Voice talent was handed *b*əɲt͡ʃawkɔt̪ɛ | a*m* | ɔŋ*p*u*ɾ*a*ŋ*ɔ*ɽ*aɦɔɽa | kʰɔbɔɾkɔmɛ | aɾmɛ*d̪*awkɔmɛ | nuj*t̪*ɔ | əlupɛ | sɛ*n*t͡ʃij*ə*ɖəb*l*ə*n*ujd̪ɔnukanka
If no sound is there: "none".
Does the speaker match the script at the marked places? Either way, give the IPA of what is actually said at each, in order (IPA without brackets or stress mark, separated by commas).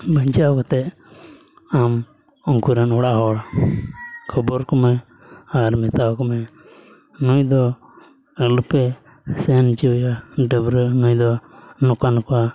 b, m, k, ɾ, n, ɽ, t̪, d̪, n, a, ɾ, n